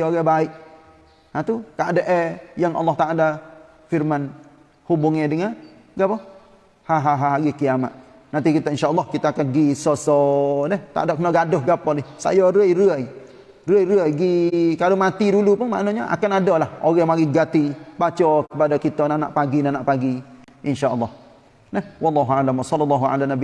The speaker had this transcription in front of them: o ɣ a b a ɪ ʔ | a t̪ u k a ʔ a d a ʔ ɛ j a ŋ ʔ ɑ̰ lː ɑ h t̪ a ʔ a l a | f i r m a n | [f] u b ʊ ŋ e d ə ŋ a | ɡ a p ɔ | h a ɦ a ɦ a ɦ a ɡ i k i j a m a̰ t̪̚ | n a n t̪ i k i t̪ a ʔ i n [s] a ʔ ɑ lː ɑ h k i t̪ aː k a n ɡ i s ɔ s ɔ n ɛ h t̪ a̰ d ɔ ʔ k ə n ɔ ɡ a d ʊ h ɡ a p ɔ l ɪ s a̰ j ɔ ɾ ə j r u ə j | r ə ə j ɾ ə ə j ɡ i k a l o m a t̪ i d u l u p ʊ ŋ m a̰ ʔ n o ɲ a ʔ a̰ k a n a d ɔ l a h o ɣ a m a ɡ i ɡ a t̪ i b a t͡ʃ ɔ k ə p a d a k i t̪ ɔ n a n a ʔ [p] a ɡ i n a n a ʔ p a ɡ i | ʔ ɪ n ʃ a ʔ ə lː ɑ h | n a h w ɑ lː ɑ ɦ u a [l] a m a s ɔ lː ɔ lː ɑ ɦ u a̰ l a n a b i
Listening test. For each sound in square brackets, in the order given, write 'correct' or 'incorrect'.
incorrect, incorrect, correct, correct

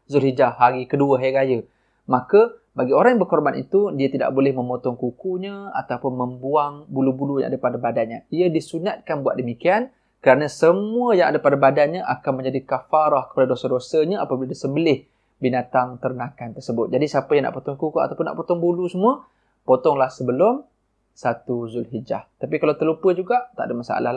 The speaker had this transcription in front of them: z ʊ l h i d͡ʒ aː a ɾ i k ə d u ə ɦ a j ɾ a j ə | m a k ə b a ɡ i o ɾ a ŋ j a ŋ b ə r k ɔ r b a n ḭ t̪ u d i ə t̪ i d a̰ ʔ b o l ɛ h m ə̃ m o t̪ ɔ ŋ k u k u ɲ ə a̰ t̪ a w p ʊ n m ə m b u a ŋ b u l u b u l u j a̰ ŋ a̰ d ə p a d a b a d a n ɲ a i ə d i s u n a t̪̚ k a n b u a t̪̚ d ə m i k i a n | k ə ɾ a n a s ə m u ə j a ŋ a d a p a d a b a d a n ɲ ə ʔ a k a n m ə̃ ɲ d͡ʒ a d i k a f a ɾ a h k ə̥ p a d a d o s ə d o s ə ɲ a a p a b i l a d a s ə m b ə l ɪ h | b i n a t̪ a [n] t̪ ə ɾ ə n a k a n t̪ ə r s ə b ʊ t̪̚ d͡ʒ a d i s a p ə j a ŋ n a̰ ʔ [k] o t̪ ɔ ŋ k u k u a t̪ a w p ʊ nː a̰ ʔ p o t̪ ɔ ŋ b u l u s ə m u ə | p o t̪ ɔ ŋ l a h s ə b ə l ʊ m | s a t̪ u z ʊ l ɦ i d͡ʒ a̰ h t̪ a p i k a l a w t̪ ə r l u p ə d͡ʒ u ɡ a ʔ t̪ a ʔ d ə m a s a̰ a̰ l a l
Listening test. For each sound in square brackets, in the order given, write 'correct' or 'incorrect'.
incorrect, incorrect

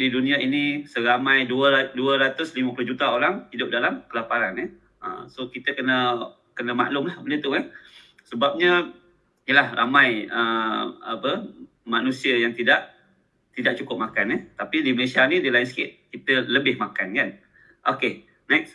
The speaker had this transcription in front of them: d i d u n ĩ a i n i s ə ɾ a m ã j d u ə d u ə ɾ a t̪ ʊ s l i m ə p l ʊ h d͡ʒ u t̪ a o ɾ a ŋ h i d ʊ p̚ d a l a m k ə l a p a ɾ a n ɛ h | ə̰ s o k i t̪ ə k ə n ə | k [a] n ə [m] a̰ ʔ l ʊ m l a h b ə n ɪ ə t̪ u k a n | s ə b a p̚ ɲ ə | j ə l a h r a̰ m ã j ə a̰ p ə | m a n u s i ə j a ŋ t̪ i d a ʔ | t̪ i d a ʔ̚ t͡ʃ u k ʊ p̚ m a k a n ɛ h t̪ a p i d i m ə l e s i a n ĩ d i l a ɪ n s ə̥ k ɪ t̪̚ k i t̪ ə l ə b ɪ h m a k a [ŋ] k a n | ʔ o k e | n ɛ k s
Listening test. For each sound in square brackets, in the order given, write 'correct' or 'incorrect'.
incorrect, correct, incorrect

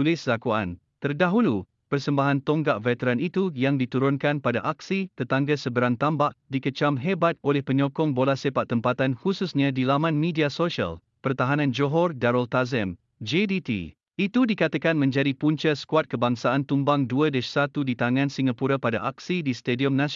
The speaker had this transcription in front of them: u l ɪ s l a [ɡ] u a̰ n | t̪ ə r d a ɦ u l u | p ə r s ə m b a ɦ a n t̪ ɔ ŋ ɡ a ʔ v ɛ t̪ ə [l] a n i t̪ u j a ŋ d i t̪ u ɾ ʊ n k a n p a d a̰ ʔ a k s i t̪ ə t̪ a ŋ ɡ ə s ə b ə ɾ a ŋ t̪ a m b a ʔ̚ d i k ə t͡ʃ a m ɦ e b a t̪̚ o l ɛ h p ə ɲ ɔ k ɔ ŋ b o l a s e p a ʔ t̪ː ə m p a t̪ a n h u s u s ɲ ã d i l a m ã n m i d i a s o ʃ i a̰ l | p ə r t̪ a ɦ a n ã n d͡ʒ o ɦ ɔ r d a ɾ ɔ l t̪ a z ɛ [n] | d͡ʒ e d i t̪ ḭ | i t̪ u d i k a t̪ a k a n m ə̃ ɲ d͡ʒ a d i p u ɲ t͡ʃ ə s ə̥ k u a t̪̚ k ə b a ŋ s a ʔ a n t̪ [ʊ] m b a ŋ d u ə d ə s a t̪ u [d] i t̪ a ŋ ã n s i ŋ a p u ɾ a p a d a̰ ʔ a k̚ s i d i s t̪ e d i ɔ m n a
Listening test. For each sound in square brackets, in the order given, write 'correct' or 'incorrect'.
incorrect, incorrect, incorrect, incorrect, correct

